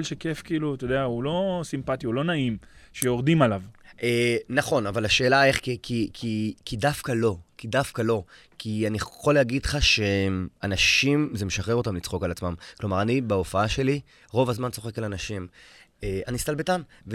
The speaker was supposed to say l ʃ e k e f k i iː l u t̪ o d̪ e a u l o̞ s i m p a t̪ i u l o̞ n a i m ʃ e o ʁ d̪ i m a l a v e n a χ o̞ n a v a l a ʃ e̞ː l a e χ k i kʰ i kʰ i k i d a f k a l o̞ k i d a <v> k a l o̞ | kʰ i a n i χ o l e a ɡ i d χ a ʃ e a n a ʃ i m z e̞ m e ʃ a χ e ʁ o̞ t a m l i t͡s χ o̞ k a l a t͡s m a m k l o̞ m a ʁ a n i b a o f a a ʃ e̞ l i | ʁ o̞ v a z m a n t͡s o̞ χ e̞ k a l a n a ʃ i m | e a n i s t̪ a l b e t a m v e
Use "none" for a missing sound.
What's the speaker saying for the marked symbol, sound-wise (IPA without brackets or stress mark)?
f